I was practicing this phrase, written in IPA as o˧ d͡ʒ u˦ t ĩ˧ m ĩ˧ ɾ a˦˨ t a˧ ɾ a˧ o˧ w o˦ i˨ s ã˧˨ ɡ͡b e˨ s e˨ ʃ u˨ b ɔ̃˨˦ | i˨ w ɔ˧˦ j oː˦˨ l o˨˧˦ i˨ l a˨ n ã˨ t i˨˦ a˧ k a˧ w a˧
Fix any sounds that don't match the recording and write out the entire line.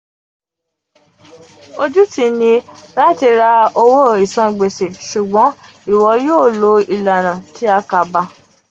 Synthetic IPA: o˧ d͡ʒ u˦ t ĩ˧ n ĩ˧ ɾ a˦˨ t i˧ ɾ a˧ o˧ w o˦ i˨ s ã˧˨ ɡ͡b e˨ s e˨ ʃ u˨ ɡ͡b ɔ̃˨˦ | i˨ w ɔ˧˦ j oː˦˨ l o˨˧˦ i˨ l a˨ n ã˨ t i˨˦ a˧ k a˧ b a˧